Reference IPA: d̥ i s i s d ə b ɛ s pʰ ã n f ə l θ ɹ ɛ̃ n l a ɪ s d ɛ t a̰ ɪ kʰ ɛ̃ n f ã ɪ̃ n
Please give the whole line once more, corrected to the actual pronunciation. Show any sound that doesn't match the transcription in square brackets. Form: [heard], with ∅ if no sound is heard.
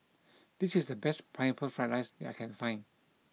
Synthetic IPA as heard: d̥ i s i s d ə b ɛ s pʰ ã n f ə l [f] ɹ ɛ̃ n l a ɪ s d ɛ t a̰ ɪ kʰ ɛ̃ n f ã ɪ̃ n